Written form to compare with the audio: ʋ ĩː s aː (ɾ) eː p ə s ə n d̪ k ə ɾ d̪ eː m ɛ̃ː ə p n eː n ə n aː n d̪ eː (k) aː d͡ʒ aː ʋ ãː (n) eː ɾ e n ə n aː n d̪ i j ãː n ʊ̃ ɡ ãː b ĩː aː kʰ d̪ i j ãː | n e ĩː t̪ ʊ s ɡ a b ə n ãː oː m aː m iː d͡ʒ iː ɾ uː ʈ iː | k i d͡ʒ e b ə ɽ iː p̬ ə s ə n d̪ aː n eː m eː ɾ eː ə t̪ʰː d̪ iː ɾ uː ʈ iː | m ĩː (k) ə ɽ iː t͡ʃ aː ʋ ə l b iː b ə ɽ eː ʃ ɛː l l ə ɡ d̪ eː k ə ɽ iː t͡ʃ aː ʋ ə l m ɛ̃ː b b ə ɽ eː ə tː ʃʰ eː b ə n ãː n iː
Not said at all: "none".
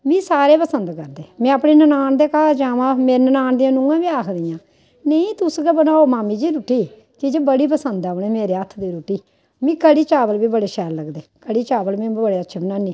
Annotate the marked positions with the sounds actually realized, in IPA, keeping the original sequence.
ɾ, k, m, k

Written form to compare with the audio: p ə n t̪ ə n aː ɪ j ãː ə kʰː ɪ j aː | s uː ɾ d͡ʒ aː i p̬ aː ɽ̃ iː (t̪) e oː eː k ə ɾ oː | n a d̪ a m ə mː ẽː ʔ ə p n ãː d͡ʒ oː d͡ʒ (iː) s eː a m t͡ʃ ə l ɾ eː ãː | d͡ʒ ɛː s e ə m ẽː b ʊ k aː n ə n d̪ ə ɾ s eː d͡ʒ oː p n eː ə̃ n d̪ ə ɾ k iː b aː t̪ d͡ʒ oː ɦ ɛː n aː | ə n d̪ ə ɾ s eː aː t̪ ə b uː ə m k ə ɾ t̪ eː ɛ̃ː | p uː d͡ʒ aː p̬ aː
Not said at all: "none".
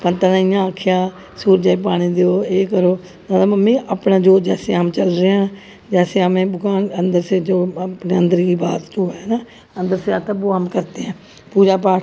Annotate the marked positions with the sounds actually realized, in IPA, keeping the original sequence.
d̪, ɛː

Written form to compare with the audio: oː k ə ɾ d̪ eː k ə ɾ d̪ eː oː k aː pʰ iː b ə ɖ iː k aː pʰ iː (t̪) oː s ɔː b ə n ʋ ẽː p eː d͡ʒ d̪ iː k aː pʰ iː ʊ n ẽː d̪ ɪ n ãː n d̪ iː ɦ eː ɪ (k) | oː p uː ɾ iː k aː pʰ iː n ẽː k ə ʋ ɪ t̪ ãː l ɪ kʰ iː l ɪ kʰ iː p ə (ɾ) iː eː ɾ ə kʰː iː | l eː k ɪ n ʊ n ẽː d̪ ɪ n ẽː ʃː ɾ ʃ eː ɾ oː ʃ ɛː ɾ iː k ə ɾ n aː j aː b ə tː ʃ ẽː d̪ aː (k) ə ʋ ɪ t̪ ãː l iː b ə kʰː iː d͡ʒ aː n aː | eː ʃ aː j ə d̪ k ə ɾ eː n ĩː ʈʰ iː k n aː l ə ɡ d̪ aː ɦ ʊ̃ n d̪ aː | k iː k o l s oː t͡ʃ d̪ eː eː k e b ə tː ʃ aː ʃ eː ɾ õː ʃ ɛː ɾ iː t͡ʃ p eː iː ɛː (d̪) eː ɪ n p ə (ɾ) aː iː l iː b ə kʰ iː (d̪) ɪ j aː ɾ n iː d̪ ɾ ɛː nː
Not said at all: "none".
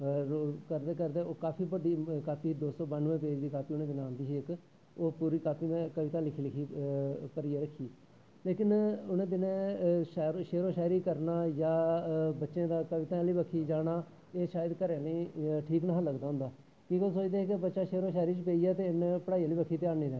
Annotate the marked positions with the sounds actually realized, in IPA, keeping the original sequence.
d̪, k, ɾ, k, t̪, ɽ, t̪

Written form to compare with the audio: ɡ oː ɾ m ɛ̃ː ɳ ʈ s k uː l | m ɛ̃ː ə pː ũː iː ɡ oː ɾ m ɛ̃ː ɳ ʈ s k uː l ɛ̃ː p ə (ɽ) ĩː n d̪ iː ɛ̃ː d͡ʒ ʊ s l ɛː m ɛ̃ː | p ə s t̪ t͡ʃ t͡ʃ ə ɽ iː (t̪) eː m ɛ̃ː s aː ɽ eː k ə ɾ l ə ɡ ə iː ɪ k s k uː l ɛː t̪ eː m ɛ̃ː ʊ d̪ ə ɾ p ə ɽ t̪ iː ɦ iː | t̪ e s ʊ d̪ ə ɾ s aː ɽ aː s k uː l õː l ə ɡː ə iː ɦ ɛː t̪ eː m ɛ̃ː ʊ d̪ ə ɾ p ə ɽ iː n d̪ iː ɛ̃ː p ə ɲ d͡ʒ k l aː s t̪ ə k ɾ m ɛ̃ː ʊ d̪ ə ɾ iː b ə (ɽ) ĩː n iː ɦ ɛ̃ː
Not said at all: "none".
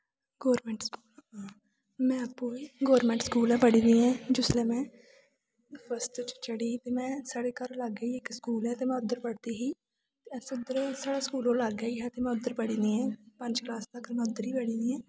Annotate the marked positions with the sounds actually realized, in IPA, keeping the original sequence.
ɽ, t̪, ɽ

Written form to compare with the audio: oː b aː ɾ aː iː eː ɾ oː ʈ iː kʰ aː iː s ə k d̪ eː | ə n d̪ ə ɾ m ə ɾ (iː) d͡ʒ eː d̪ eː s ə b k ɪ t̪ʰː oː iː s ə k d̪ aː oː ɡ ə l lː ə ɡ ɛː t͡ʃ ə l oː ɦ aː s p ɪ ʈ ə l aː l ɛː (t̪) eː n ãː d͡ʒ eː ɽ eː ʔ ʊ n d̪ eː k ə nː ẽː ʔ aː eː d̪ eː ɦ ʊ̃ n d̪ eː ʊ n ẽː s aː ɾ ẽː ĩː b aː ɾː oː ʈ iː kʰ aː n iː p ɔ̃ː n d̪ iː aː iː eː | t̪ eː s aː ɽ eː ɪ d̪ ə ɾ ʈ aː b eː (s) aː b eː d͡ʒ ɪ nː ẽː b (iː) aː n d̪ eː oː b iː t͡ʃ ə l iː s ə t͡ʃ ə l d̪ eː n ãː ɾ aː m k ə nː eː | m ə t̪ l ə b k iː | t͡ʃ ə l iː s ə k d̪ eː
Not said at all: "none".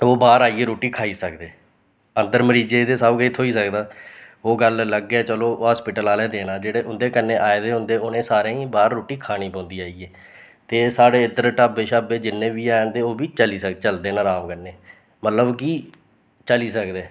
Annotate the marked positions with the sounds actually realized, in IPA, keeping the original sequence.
iː, d̪, ʃ, iː

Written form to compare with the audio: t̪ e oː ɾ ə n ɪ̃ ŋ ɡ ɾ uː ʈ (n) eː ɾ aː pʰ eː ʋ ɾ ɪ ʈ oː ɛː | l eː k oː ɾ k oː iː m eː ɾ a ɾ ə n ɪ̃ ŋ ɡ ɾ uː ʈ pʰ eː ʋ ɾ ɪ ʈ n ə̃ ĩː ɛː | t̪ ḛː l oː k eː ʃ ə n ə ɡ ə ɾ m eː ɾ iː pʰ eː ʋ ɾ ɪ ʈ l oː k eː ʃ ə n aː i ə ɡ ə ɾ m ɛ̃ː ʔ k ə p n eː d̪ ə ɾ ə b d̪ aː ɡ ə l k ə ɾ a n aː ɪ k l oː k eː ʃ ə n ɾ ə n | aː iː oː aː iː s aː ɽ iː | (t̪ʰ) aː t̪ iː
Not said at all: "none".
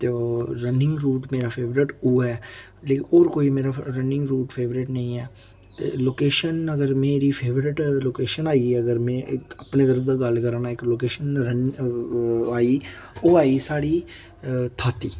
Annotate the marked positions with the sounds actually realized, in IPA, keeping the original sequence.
m, t̪ʰ

